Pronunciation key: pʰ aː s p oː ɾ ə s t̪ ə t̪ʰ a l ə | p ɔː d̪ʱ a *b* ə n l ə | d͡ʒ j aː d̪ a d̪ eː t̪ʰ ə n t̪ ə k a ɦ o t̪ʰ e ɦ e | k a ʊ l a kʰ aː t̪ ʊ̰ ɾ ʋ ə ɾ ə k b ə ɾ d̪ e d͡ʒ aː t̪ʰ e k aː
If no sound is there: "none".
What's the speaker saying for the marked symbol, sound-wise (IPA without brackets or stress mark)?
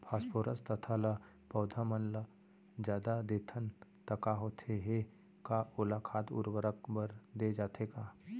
m